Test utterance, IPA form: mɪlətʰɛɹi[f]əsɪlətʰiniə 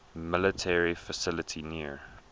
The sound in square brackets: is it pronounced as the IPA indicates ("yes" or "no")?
yes